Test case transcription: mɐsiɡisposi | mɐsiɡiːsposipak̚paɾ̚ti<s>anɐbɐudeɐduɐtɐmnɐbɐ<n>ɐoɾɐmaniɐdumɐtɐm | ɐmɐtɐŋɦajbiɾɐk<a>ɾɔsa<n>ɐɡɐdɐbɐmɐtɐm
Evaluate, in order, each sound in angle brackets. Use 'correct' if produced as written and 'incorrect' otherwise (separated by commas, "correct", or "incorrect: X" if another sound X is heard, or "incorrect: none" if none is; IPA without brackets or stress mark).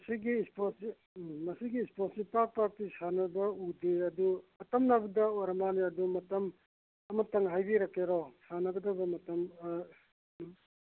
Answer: correct, incorrect: d, incorrect: e, correct